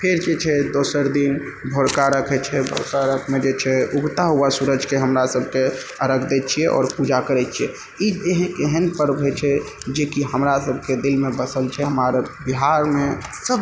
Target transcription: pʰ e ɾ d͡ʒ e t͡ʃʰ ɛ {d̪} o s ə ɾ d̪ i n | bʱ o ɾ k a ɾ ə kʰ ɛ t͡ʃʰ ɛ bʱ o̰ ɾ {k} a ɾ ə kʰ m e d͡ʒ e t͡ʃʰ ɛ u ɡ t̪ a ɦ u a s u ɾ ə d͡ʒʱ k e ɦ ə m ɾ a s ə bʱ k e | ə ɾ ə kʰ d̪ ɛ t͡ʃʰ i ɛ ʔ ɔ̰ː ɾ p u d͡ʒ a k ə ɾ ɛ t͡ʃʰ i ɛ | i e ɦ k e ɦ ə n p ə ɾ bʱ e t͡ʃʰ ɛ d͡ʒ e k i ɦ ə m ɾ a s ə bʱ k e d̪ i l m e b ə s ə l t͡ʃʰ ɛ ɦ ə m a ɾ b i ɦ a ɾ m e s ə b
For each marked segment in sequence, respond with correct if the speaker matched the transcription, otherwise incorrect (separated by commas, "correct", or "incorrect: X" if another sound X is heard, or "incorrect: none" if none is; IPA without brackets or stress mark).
correct, correct